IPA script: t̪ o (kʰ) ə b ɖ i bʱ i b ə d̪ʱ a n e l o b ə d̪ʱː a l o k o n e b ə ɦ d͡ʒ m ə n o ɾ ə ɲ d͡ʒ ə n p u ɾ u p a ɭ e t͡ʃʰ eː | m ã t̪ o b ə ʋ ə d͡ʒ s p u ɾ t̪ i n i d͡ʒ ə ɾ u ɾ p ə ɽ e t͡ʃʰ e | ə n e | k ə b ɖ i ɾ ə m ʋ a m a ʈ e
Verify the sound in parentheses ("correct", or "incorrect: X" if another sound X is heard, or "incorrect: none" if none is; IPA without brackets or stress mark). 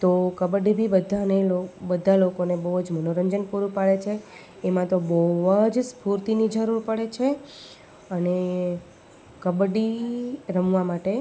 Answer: incorrect: k